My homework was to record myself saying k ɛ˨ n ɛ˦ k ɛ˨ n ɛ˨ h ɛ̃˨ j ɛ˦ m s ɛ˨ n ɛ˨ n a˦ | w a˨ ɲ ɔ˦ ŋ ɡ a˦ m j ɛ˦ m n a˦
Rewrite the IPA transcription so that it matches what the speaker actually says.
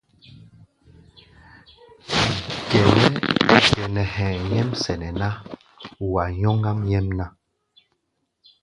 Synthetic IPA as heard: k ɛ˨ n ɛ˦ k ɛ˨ n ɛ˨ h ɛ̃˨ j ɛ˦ m s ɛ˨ n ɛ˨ n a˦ | w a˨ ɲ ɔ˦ ŋ ɡ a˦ m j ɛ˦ m n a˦